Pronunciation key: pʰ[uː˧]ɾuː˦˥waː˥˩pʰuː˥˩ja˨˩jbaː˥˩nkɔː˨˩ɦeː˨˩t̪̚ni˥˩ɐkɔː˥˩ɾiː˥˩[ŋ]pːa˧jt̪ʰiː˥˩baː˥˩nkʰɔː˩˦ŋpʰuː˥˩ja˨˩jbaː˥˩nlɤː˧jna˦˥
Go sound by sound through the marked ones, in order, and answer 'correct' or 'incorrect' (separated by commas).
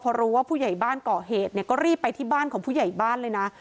incorrect, incorrect